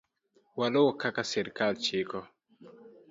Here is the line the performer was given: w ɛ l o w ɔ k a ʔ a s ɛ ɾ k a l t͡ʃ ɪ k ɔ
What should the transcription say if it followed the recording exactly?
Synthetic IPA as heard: w a l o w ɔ k a k a s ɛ ɾ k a l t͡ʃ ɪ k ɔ